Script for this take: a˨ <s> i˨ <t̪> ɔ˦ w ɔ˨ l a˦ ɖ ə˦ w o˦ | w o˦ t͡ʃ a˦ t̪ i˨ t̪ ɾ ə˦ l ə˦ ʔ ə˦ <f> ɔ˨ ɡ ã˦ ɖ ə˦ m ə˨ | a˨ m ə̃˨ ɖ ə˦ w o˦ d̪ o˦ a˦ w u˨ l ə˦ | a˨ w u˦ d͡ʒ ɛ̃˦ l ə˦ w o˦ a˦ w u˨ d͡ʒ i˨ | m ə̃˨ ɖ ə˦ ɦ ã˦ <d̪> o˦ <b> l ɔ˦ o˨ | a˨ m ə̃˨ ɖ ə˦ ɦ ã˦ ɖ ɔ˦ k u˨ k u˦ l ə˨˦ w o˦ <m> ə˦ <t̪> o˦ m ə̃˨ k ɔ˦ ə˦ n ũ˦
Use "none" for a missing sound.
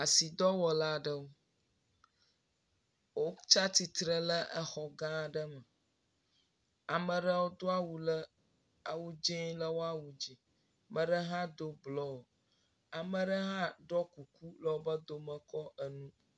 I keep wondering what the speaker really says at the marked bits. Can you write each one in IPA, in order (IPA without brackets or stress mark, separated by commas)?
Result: s, d̪, x, d̪, b, b, d̪